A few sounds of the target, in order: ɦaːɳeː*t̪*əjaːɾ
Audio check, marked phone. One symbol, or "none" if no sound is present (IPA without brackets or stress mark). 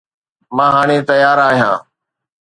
t̪